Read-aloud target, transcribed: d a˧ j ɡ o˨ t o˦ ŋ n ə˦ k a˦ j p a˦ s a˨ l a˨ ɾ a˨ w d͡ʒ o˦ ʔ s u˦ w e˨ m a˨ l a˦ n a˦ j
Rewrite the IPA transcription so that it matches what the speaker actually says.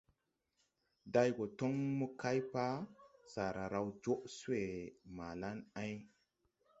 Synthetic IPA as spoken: d a˧ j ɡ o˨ t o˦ ŋ m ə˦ k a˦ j p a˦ s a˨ ɾ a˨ ɾ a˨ w d͡ʒ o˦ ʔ s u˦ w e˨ m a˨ l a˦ n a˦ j